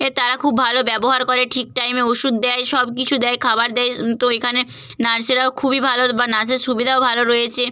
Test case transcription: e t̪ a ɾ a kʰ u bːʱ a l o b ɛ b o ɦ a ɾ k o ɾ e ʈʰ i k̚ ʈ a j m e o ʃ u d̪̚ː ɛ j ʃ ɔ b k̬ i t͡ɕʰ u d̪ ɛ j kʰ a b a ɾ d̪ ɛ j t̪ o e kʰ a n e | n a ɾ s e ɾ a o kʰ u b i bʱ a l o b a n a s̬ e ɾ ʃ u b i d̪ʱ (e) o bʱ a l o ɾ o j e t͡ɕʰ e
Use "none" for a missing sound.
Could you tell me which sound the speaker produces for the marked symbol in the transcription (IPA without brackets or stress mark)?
a